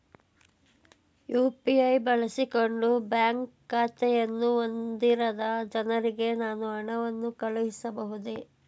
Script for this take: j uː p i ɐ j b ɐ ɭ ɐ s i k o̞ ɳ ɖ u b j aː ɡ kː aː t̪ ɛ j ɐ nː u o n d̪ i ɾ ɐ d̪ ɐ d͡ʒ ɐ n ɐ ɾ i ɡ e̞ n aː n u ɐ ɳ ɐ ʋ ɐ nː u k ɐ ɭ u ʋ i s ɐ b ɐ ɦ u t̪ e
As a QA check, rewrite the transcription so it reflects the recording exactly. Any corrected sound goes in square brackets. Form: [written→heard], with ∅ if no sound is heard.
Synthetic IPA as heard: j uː p i ɐ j b ɐ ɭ ɐ s i k o̞ ɳ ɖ u b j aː [ɡ→ŋ] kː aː t̪ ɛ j ɐ nː u o n d̪ i ɾ ɐ d̪ ɐ d͡ʒ ɐ n ɐ ɾ i ɡ e̞ n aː n u ɐ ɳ ɐ ʋ ɐ nː u k ɐ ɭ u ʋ i s ɐ b ɐ ɦ u [t̪→d̪] e

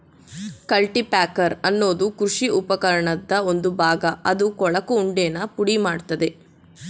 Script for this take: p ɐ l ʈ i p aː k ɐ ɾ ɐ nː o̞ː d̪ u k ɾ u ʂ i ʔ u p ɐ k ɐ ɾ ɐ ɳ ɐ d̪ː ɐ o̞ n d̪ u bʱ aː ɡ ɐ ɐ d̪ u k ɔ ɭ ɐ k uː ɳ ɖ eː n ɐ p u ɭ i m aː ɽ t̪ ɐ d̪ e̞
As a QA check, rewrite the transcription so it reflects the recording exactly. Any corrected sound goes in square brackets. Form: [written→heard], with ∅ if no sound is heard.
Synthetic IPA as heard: [p→k] ɐ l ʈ i p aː k ɐ ɾ ɐ nː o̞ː d̪ u k ɾ u ʂ i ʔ u p ɐ k ɐ ɾ ɐ ɳ ɐ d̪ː ɐ o̞ n d̪ u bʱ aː ɡ ɐ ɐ d̪ u k ɔ ɭ ɐ k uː ɳ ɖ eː n ɐ p u [ɭ→ɽ] i m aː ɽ t̪ ɐ d̪ e̞

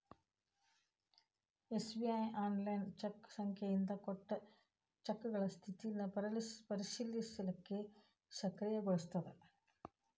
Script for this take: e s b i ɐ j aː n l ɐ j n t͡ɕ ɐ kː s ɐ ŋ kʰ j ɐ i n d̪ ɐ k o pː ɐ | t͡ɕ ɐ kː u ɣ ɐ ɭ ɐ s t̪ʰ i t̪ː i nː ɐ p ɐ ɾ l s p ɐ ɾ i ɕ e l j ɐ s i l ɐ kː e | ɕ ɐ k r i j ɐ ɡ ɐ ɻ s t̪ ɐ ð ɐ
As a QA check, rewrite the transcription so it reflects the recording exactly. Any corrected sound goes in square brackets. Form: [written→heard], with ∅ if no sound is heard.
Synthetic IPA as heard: e s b i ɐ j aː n l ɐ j n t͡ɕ ɐ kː s ɐ ŋ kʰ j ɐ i n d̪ ɐ k o [pː→ʈː] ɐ | t͡ɕ ɐ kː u ɣ ɐ ɭ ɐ s t̪ʰ i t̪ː i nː ɐ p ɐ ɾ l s p ɐ ɾ i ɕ [e→i] l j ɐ s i l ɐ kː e | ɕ ɐ k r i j ɐ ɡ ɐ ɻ s t̪ ɐ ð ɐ

